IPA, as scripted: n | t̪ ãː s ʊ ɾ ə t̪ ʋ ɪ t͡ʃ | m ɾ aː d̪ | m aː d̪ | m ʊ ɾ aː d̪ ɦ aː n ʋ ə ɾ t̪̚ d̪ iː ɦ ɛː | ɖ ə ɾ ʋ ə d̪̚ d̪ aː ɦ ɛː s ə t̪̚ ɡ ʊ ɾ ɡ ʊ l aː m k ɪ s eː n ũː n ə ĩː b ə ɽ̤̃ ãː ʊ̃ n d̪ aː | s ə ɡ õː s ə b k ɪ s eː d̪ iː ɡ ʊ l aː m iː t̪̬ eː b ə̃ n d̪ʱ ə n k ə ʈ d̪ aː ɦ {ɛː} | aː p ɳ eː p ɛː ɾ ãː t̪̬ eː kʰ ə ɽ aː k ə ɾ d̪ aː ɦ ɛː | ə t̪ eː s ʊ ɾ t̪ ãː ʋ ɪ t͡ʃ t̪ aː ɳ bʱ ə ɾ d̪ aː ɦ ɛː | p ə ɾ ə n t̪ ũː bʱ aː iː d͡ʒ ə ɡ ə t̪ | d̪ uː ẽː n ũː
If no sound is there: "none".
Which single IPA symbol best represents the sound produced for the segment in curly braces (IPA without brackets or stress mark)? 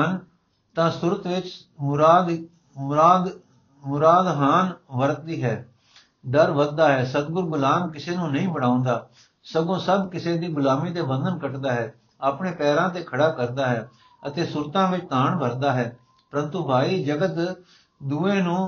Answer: ɛː